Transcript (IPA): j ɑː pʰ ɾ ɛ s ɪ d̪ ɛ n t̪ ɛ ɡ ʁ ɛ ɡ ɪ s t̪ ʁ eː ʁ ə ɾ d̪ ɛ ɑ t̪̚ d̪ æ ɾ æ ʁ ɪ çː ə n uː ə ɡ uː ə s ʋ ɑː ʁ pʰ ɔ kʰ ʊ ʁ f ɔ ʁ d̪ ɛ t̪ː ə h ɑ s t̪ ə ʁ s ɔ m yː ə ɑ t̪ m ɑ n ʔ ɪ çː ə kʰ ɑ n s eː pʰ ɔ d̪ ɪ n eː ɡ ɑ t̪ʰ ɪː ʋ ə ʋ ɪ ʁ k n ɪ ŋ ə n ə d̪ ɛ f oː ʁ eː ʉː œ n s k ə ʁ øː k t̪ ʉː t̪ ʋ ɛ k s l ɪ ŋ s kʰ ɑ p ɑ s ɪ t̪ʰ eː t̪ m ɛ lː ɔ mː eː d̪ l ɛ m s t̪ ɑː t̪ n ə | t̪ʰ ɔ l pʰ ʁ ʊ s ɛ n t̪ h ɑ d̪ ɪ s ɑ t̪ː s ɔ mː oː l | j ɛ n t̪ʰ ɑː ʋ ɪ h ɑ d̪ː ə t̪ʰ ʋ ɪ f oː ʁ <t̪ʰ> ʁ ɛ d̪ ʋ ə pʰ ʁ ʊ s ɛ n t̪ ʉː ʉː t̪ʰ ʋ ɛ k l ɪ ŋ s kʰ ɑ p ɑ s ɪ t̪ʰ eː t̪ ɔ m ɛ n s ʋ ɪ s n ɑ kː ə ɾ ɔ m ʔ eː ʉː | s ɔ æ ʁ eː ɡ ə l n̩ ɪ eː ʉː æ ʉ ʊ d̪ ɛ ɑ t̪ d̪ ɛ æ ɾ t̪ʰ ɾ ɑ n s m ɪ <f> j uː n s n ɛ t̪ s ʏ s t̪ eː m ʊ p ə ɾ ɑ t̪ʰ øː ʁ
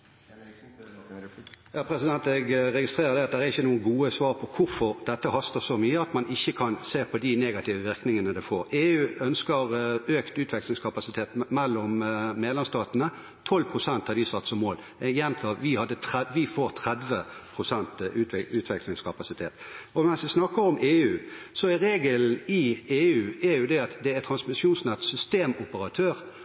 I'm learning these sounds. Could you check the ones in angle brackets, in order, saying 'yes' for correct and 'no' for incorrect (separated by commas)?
yes, no